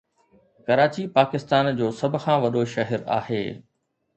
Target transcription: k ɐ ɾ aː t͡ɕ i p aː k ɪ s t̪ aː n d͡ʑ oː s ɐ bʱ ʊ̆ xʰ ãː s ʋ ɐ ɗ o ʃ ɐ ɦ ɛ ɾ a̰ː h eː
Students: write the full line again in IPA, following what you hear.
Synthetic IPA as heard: k ɐ ɾ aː t͡ɕ i p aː k ɪ s t̪ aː n d͡ʑ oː s ɐ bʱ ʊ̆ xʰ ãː ʋ ɐ ɗ o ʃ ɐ ɦ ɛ ɾ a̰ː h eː